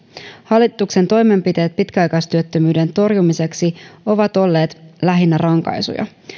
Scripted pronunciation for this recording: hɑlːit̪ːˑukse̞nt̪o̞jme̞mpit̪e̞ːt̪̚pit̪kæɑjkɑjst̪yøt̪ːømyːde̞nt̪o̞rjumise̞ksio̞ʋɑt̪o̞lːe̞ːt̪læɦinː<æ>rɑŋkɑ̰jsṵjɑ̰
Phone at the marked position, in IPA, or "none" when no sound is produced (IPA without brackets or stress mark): æ